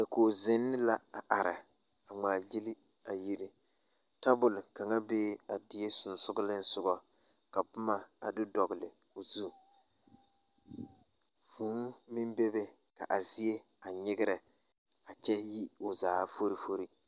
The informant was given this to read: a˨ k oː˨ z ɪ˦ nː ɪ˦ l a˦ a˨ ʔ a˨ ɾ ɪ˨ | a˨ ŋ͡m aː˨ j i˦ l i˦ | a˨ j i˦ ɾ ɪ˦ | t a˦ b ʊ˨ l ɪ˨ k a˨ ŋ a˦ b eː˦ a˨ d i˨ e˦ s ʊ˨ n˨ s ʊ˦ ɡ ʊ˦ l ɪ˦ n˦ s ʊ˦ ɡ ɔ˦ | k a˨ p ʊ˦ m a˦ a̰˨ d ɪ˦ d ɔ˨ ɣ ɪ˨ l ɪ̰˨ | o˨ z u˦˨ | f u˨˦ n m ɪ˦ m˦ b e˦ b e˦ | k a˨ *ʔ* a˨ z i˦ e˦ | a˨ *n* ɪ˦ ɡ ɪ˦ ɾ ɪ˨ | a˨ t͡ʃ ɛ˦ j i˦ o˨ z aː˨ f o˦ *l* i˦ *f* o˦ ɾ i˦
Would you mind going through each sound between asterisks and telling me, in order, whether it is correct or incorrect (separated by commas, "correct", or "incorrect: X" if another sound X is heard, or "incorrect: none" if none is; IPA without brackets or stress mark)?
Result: correct, incorrect: ɲ, incorrect: ɾ, correct